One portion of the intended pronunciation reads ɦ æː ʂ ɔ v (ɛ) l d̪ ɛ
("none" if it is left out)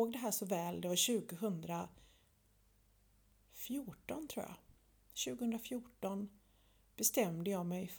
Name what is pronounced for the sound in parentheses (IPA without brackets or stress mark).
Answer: ɛː